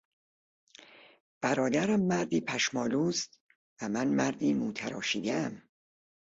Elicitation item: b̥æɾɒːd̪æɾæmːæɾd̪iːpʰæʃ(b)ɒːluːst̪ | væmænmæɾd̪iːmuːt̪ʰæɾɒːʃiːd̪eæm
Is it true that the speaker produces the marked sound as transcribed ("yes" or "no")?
no